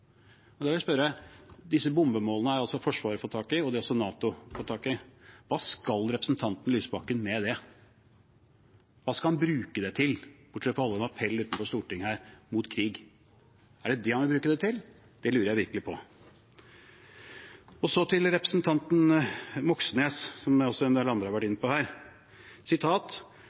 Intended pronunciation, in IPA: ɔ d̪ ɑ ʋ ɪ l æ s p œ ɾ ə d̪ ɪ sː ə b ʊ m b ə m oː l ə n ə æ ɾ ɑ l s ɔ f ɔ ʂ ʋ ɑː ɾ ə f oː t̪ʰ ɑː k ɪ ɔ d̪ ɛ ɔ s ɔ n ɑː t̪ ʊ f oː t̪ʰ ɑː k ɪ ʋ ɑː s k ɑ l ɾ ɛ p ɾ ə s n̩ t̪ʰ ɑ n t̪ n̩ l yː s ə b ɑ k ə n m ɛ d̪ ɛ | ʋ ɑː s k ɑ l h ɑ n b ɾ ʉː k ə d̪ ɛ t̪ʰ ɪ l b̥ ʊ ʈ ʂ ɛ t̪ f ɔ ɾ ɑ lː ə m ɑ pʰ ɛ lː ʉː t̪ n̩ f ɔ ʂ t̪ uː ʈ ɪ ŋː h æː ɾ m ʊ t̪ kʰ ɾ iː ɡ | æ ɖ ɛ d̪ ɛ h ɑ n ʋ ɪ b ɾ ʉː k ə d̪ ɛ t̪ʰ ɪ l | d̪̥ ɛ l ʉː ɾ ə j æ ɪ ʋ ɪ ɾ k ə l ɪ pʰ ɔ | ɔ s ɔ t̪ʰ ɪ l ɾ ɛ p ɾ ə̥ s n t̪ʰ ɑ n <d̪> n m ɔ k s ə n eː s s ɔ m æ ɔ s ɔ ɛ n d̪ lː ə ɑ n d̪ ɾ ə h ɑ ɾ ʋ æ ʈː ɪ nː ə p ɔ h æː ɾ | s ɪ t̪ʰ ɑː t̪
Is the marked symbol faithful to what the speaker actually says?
no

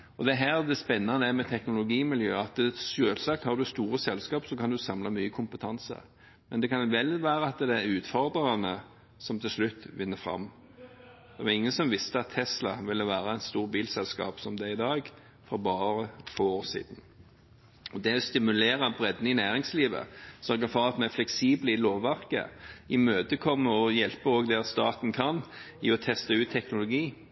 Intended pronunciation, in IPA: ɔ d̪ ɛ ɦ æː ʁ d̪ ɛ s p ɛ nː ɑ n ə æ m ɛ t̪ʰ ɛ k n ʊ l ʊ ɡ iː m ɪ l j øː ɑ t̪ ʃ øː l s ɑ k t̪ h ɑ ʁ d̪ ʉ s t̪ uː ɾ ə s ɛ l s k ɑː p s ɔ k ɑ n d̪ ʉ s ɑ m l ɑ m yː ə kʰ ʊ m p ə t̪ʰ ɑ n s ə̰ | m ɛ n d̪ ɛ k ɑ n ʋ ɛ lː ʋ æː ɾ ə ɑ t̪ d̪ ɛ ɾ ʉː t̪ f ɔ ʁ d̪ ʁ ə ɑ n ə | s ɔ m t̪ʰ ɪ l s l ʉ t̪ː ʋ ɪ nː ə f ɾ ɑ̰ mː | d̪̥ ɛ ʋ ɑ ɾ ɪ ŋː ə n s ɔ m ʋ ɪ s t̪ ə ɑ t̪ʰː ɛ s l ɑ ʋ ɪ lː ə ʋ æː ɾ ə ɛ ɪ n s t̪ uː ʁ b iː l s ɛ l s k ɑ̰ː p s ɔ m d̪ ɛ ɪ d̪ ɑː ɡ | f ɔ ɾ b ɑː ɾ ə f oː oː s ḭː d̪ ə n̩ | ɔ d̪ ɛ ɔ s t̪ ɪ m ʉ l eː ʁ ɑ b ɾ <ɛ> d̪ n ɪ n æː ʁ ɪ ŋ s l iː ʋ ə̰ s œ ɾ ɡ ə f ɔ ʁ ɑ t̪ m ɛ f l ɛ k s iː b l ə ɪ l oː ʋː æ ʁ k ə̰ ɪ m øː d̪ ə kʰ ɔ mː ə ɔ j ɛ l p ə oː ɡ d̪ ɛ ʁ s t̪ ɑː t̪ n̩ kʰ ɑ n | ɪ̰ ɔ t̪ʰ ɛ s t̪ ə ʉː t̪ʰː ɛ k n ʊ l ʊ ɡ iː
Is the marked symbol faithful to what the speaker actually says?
yes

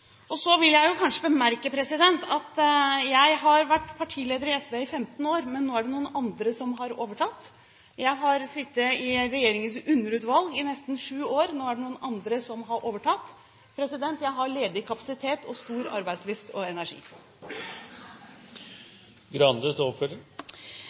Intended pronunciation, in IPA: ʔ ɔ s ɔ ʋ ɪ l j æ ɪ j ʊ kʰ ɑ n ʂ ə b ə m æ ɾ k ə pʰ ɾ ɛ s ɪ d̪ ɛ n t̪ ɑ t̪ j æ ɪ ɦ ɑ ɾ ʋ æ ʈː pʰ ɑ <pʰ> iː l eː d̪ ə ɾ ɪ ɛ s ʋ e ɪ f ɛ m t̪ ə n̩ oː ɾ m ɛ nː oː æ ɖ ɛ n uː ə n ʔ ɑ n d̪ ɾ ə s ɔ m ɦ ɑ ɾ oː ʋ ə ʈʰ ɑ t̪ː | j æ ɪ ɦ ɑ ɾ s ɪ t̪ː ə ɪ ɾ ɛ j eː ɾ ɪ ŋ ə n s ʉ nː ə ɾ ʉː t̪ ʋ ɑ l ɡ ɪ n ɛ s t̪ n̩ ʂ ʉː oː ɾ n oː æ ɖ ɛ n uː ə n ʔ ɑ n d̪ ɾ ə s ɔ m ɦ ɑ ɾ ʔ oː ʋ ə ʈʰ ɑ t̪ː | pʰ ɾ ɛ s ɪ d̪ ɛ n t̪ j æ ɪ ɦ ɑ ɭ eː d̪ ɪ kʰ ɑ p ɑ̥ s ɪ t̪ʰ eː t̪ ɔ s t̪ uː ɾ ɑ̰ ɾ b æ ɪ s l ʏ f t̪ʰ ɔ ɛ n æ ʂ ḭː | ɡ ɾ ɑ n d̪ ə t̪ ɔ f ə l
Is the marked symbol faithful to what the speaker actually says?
no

